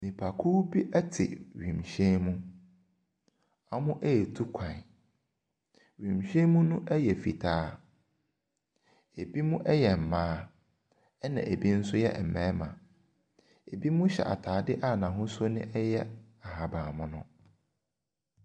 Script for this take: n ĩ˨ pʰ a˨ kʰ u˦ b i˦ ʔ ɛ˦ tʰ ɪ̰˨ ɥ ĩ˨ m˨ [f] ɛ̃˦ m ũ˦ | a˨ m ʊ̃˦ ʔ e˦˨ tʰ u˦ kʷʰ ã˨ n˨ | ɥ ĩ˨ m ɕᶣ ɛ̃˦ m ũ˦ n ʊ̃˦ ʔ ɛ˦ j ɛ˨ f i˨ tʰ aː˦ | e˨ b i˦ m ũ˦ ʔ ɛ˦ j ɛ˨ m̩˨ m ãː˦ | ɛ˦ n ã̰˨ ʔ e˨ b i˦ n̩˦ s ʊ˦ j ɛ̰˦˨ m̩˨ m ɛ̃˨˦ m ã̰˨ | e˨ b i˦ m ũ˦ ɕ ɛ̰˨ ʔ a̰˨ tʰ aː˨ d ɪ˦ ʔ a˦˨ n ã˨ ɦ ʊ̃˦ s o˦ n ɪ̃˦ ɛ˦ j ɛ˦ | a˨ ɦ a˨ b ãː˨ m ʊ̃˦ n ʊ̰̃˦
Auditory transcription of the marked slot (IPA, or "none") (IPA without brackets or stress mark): ɕ